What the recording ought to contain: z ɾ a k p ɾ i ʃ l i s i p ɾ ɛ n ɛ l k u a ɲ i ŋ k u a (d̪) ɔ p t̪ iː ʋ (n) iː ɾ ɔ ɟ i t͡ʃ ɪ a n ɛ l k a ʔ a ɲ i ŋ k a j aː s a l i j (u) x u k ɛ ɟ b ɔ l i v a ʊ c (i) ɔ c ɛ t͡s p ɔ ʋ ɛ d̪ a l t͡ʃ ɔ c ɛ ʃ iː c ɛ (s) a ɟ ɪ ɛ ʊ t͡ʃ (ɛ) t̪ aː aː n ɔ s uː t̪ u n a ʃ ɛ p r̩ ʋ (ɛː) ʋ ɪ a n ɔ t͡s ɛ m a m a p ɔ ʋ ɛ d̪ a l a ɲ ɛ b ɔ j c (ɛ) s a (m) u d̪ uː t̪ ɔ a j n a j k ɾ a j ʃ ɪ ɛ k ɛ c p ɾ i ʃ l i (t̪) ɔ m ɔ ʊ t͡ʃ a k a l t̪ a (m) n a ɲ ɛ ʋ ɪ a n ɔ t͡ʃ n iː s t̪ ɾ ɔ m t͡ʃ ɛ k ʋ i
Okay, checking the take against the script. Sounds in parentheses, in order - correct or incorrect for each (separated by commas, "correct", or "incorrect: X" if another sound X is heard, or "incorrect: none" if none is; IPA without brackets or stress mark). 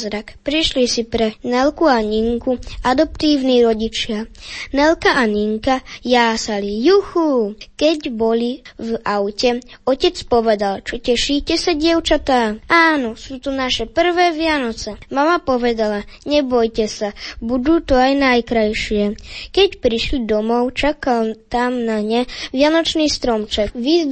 correct, correct, correct, incorrect: ɛ, correct, incorrect: a, correct, correct, incorrect: b, incorrect: d̪, correct